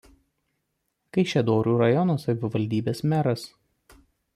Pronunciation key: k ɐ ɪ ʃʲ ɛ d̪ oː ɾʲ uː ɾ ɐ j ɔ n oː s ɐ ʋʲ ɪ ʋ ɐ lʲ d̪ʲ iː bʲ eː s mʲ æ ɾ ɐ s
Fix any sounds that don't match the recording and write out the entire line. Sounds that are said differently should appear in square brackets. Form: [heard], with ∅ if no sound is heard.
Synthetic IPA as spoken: k ɐ ɪ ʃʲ ɛ d̪ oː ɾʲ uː ɾ ɐ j ɔ n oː s ɐ ʋʲ ɪ ʋ ɐ lʲ d̪ʲ iː bʲ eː s mʲ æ ɾ ɐ s